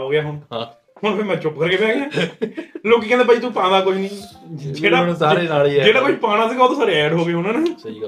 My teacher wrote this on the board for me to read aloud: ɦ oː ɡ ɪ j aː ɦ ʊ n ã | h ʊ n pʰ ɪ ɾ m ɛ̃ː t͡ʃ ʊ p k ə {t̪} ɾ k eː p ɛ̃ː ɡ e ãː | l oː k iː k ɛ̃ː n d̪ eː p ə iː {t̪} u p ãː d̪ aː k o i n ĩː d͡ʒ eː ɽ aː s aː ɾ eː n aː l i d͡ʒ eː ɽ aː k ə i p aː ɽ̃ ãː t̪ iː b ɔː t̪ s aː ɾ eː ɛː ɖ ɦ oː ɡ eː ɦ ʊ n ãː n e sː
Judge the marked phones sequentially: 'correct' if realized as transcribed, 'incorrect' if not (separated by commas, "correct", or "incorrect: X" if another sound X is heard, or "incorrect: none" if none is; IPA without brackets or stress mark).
incorrect: none, correct